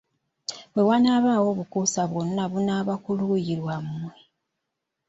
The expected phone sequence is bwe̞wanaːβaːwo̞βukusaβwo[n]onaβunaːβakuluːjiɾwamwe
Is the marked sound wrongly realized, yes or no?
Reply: no